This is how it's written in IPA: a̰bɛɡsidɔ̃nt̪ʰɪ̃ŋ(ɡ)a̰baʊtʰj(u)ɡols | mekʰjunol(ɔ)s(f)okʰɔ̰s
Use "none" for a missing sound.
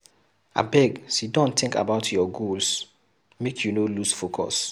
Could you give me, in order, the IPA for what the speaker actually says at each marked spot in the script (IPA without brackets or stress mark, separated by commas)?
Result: k, ɔ, u, f